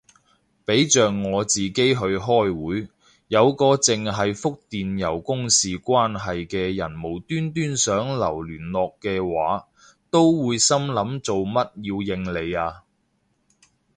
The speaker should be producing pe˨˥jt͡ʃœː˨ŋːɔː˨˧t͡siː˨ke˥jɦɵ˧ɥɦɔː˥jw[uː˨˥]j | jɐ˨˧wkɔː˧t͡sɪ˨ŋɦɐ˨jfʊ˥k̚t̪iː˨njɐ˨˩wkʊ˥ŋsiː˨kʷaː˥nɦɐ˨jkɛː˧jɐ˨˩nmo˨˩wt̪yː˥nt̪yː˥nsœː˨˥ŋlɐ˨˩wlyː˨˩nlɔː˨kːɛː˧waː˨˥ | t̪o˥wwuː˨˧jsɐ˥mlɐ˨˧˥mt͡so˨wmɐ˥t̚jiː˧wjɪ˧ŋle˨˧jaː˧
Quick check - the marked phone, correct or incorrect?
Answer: correct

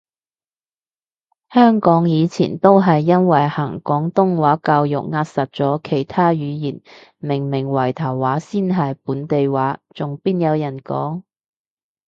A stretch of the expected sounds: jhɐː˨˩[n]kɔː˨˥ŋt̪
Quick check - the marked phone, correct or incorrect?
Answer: incorrect: ŋ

